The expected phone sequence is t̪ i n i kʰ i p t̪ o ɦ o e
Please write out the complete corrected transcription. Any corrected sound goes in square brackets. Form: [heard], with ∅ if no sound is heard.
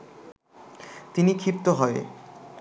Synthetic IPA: t̪ i n i kʰ i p t̪ o ɦ [ɔ] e